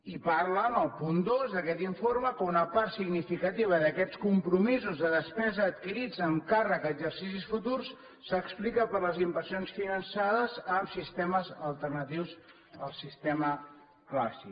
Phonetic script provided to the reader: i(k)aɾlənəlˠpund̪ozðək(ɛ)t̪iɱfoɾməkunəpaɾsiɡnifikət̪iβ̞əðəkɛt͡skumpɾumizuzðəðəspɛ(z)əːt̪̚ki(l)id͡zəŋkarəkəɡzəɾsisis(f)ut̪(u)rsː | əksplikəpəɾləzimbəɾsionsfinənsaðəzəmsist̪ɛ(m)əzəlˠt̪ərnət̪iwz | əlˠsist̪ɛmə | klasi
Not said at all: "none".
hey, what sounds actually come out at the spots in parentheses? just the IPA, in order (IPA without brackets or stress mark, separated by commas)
p, ɛ, z, ɾ, f, u, m